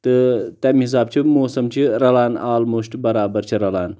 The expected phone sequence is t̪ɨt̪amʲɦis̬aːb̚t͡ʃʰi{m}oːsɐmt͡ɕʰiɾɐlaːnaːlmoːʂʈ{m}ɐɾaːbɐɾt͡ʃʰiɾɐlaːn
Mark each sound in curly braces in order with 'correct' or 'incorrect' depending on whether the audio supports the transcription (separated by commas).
correct, incorrect